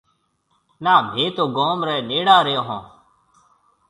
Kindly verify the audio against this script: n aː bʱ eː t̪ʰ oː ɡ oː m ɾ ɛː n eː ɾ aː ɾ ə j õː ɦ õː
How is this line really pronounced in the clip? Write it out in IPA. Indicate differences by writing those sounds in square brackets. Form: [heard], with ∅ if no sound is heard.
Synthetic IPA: n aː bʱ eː [t̪] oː ɡ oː m ɾ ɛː n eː [ɽ] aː ɾ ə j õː ɦ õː